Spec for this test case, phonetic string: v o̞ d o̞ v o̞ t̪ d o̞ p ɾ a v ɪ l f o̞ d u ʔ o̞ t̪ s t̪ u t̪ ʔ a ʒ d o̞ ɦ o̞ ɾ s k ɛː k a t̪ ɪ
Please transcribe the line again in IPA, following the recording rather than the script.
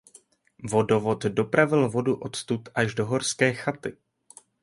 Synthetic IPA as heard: v o̞ d o̞ v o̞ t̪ d o̞ p ɾ a v ɪ l v o̞ d u ʔ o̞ t̪ s t̪ u t̪ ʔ a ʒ d o̞ ɦ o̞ ɾ s k ɛː x a t̪ ɪ

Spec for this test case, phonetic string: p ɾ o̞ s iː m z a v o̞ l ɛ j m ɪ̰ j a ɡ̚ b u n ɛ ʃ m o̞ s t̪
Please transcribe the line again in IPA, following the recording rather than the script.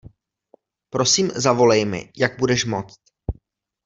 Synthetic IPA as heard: p ɾ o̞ s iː m z a v o̞ l ɛ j m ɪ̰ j a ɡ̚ b u d ɛ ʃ m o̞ t͡s t̪

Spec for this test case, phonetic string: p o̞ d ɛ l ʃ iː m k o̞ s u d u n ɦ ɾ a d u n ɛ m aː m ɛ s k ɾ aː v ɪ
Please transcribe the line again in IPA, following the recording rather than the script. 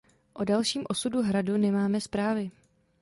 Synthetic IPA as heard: ʔ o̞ d a l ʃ iː m ʔ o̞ s u d u ɦ ɾ a d u n ɛ m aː m ɛ s p ɾ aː v ɪ

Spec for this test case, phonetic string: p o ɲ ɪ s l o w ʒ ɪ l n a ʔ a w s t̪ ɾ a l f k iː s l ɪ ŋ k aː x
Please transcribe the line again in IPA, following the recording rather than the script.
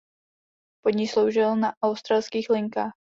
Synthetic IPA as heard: p o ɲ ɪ s l o w ʒ ɪ l n a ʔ a w s t̪ ɾ a l s k iː x l ɪ ŋ k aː x

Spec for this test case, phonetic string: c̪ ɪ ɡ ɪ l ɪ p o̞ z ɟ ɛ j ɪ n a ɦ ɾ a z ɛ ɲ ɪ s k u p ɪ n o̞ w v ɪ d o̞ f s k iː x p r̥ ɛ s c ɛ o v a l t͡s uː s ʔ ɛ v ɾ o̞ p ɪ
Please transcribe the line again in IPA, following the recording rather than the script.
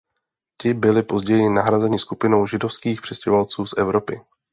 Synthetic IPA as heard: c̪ ɪ b ɪ l ɪ p o̞ z ɟ ɛ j ɪ n a ɦ ɾ a z ɛ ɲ ɪ s k u p ɪ n o̞ w ʒ ɪ d o̞ f s k iː x p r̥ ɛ s c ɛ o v a l t͡s uː s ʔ ɛ v ɾ o̞ p ɪ

